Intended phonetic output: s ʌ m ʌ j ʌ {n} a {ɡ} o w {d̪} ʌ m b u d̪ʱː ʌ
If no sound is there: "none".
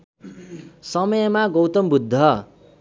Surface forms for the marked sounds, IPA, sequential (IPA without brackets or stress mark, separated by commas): m, ɡ, t̪